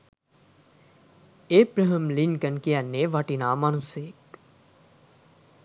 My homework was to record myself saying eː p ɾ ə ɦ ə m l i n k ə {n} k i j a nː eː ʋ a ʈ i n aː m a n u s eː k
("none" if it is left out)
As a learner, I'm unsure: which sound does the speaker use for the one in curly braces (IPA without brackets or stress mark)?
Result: n